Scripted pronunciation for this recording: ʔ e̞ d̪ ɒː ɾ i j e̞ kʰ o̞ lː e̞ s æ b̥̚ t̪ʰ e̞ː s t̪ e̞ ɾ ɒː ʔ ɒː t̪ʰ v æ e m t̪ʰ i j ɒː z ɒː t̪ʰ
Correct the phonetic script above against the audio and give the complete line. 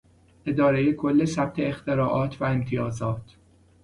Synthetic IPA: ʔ e̞ d̪ ɒː ɾ e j e̞ kʰ o̞ lː e̞ s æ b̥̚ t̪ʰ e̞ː x t̪ e̞ ɾ ɒː ʔ ɒː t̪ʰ v æ e m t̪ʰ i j ɒː z ɒː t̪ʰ